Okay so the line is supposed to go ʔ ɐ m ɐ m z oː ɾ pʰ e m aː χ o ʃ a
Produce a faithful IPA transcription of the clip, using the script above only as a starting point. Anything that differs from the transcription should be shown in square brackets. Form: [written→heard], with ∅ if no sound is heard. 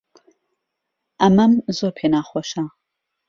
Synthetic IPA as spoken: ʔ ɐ m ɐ m z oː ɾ pʰ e [m→n] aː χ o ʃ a